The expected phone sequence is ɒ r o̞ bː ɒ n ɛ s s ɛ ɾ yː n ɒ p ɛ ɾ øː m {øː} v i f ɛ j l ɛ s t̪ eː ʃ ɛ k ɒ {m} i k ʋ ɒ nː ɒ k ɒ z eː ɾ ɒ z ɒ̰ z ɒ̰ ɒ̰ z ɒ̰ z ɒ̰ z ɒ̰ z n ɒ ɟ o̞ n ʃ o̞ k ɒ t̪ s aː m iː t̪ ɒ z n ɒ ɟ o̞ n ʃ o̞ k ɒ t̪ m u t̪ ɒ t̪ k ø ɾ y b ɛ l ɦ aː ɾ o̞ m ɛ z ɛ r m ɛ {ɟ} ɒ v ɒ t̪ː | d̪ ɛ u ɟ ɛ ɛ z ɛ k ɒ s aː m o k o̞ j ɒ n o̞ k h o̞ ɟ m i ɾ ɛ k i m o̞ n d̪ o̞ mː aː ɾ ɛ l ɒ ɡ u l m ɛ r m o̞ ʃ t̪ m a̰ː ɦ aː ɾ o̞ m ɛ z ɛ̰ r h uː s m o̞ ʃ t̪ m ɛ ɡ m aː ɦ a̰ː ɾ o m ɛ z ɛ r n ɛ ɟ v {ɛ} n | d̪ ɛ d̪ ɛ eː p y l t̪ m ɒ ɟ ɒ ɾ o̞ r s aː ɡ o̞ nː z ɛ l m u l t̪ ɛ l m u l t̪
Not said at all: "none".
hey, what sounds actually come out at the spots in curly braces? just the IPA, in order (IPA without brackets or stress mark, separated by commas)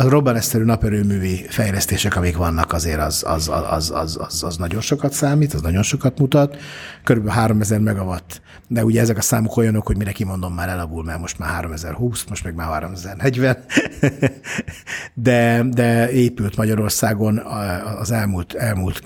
yː, m, ɡ, ɛ